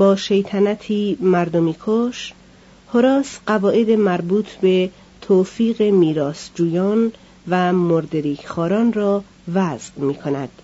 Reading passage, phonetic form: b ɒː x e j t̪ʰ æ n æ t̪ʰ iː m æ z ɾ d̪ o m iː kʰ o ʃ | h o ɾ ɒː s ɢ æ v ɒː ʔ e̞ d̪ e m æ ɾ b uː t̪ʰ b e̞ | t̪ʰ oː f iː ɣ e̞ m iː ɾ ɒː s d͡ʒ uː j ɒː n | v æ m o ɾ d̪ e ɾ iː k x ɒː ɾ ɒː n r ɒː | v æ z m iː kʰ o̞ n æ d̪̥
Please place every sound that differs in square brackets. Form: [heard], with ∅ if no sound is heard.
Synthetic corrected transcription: b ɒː [ʃ] e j t̪ʰ æ n æ t̪ʰ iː m æ [∅] ɾ d̪ o m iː kʰ o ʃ | h o ɾ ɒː s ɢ æ v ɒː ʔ e̞ d̪ e m æ ɾ b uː t̪ʰ b e̞ | t̪ʰ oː f iː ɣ e̞ m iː ɾ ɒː s d͡ʒ uː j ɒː n | v æ m o ɾ d̪ e ɾ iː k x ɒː ɾ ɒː n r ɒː | v æ z m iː kʰ o̞ n æ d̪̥